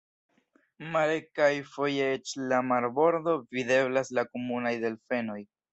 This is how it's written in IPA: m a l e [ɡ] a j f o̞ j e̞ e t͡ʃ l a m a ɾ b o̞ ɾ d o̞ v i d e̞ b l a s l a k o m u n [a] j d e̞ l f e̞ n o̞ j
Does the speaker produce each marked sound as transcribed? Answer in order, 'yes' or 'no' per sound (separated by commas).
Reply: no, yes